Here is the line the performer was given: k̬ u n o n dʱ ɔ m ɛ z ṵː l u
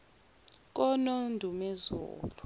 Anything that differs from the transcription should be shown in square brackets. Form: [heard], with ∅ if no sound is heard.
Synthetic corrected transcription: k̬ [ɔ] n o n dʱ [u] m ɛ z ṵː l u